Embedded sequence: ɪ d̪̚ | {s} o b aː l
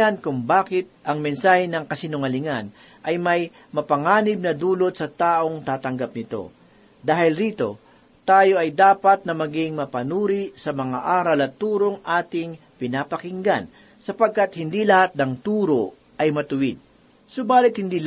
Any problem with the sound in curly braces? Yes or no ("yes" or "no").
no